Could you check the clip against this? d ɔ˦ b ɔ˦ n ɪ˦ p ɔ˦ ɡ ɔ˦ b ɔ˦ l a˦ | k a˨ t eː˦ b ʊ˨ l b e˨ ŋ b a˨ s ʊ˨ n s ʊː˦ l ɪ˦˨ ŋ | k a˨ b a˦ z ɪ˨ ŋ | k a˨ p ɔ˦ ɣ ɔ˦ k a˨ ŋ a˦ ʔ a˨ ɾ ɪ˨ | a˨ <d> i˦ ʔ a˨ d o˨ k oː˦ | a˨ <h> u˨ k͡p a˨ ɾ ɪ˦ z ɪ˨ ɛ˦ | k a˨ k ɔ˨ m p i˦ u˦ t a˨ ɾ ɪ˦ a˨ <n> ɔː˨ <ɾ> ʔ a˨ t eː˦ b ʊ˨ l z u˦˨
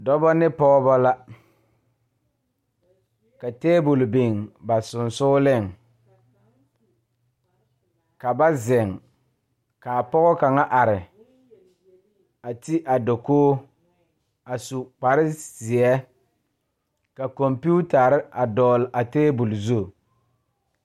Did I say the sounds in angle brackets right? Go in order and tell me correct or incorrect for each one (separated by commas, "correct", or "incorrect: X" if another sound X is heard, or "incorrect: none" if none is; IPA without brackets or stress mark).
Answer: incorrect: t, incorrect: s, incorrect: d, incorrect: l